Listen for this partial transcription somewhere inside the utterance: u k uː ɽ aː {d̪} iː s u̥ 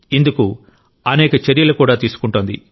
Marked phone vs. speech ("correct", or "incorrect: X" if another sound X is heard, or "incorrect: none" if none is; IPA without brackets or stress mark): incorrect: t̪